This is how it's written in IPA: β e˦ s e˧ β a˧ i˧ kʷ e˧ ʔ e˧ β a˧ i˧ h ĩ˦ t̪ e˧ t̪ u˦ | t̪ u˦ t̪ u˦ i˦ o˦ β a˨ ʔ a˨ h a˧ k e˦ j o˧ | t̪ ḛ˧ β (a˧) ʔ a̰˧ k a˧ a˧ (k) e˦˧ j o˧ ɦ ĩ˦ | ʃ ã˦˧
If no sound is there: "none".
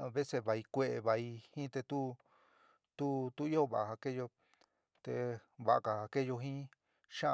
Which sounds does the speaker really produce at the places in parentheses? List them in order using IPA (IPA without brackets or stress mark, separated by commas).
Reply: a˧, k